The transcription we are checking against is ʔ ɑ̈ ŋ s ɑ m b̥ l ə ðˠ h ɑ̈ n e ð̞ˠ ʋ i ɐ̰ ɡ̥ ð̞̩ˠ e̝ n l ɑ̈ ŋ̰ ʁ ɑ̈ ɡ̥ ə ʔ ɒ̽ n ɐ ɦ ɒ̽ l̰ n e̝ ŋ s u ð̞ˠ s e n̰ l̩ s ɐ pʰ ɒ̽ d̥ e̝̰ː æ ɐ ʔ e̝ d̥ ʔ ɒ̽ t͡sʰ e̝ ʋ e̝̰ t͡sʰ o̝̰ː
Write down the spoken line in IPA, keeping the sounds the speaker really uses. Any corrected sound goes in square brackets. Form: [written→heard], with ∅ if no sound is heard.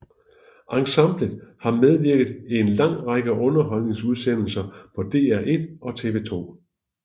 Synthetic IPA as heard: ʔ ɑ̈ ŋ s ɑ m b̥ l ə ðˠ h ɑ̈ [n→m] e ð̞ˠ ʋ i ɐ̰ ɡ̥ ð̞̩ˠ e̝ n l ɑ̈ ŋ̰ ʁ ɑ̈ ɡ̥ ə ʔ [ɒ̽→ɔ̽] n ɐ ɦ ɒ̽ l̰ n e̝ ŋ s u ð̞ˠ s e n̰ l̩ s ɐ pʰ ɒ̽ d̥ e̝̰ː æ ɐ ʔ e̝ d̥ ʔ ɒ̽ t͡sʰ e̝ ʋ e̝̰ t͡sʰ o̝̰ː